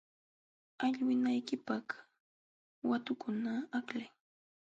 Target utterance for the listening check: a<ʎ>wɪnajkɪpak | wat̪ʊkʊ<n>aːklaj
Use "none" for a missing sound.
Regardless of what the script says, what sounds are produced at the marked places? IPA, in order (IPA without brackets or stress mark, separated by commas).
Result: ʎ, n